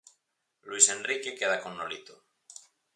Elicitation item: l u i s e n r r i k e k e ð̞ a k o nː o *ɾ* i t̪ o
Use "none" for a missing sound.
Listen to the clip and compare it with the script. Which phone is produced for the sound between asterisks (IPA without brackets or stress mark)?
l